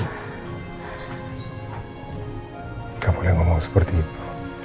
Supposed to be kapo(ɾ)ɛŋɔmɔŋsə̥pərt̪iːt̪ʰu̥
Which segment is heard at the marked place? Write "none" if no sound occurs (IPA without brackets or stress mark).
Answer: l